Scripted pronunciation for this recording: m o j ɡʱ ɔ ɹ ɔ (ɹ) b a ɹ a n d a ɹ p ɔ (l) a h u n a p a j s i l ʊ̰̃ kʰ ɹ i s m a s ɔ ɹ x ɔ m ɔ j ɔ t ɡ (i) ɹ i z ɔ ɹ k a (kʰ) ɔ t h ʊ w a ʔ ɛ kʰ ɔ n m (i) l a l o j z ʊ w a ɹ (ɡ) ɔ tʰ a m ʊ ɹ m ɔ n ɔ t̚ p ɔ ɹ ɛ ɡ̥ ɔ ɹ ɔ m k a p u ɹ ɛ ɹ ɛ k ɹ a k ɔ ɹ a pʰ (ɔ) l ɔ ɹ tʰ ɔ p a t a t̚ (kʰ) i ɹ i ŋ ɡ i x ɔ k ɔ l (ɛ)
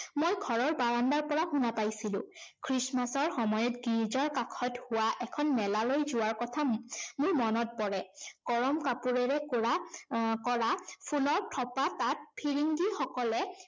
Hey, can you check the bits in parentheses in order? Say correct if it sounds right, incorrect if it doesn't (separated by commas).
correct, incorrect, correct, correct, incorrect, incorrect, incorrect, incorrect, correct